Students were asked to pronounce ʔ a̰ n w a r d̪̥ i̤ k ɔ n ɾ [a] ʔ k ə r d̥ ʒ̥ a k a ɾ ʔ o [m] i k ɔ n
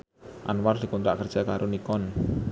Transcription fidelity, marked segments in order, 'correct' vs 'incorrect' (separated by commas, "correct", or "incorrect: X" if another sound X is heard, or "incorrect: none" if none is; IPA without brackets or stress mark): correct, incorrect: n